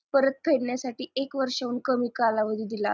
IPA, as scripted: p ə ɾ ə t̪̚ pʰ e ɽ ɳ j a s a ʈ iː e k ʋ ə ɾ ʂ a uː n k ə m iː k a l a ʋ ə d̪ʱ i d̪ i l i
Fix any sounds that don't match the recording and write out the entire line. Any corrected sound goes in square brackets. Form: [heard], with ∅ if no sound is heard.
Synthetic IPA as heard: p ə ɾ ə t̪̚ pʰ e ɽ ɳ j a s a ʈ iː e k ʋ ə ɾ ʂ a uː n k ə m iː k a l a ʋ ə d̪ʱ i d̪ i l [a]